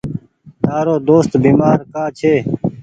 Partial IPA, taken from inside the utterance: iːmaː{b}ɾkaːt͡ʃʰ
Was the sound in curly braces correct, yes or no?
no